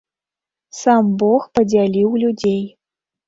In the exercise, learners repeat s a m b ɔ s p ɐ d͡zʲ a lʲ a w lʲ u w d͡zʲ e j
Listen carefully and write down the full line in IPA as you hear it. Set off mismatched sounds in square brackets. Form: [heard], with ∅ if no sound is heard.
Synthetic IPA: s a m b ɔ [x] p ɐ d͡zʲ a lʲ [i] w lʲ u [∅] d͡zʲ e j